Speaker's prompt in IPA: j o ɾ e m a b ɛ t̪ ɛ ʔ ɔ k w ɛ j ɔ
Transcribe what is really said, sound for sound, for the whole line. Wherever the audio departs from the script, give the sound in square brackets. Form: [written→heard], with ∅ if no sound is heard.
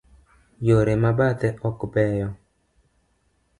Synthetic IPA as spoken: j o ɾ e m a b [ɛ→a] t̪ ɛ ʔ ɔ k [w→b] ɛ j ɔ